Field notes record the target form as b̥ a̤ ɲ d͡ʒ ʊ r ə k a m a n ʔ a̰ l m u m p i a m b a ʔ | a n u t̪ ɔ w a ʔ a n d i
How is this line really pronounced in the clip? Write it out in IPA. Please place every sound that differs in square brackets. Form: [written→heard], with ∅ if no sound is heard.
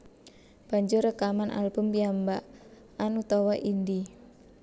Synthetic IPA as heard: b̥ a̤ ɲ d͡ʒ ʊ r ə k a m a n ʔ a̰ l [m→b] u m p i a m b a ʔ | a n u t̪ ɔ w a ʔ [a→i] n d i